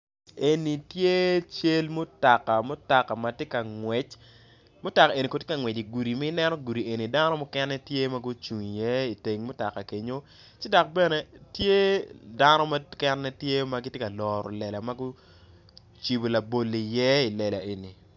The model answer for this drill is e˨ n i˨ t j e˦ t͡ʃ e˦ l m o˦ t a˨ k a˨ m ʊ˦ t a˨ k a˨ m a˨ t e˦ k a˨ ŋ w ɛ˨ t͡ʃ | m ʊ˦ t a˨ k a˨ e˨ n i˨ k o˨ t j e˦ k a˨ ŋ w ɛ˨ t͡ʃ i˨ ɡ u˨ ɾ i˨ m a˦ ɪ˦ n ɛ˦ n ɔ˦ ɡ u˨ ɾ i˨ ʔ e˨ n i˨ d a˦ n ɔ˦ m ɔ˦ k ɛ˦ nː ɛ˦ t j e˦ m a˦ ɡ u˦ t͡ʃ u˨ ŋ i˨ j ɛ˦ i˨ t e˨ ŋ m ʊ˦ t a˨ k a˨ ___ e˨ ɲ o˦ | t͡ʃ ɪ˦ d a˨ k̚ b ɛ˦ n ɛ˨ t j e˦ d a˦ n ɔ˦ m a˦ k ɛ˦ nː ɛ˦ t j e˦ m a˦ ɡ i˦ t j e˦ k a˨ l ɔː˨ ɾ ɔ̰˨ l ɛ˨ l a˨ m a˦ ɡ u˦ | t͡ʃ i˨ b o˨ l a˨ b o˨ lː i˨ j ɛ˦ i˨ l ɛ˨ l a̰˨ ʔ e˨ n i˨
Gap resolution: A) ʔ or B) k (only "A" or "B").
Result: B